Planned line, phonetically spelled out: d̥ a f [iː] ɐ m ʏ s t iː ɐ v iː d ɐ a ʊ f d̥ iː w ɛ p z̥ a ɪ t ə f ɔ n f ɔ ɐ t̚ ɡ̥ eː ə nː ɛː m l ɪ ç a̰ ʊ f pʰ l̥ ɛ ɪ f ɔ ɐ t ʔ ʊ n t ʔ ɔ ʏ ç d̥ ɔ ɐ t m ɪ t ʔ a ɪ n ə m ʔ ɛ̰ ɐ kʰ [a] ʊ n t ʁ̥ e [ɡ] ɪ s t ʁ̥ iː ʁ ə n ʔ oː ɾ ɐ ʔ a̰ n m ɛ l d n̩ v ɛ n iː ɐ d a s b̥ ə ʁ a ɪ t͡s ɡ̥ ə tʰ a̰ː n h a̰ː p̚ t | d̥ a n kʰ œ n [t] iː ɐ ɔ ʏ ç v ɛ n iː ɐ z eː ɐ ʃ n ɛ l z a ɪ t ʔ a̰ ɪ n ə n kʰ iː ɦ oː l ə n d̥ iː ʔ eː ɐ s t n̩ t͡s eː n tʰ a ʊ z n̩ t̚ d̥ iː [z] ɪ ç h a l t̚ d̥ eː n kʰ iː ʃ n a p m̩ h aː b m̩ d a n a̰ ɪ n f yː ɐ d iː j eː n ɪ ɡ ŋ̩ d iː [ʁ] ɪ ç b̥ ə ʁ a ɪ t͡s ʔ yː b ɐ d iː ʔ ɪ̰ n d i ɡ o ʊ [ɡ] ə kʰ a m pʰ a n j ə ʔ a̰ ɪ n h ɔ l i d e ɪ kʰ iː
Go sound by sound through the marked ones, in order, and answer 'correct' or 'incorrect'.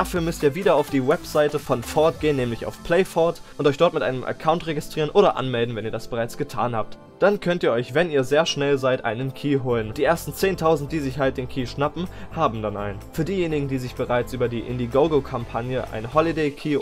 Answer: incorrect, correct, correct, correct, correct, incorrect, correct

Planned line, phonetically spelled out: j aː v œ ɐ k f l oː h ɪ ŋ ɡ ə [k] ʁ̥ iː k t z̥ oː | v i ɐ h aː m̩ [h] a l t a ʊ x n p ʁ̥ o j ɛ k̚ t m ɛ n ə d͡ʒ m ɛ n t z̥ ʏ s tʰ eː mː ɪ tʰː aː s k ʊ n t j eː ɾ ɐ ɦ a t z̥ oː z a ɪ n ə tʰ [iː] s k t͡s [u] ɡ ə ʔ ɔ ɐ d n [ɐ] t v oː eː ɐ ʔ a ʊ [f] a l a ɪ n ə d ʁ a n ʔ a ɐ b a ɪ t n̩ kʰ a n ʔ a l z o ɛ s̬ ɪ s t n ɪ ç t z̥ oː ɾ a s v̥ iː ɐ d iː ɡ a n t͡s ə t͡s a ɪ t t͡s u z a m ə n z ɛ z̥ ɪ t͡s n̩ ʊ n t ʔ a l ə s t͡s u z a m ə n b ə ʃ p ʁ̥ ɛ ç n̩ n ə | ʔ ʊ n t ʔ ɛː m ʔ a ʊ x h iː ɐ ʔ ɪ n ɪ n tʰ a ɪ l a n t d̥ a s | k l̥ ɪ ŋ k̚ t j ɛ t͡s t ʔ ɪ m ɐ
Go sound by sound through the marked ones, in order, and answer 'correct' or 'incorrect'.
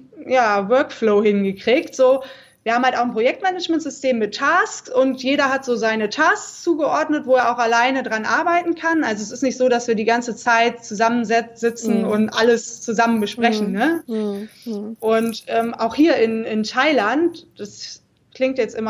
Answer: correct, correct, incorrect, incorrect, incorrect, incorrect

